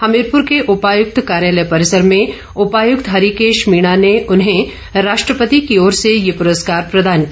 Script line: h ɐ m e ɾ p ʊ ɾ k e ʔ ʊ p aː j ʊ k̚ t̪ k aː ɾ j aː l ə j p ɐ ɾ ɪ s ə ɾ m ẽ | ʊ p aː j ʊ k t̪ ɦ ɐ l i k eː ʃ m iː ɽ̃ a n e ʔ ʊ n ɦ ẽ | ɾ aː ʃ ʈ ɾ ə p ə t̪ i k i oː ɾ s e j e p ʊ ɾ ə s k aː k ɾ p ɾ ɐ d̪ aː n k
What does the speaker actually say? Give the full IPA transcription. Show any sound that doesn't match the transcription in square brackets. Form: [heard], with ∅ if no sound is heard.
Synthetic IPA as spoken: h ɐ m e ɾ p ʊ ɾ k e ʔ ʊ p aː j ʊ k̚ t̪ k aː ɾ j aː l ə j p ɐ ɾ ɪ s ə ɾ m ẽ | ʊ p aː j ʊ k t̪ ɦ ɐ [ɾ] i k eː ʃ m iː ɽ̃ a n e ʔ ʊ n ɦ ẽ | ɾ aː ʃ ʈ ɾ ə p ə t̪ i k i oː ɾ s e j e p ʊ ɾ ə s k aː [∅] ɾ p ɾ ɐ d̪ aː n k